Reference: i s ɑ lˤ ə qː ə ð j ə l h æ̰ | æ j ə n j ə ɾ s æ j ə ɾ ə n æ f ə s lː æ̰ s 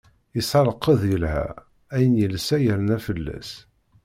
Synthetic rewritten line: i s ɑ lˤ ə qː ə ð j ə l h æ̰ | æ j ə n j ə l s æ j ə ɾ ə n æ f ə lː æ̰ s